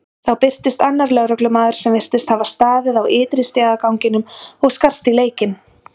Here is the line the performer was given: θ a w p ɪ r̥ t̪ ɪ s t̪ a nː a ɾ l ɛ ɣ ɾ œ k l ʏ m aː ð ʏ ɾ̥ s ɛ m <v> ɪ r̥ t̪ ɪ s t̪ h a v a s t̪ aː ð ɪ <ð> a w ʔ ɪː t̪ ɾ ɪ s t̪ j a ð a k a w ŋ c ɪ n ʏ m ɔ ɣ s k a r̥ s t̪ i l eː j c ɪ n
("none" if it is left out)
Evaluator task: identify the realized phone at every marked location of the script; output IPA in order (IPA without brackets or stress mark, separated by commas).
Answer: v, ð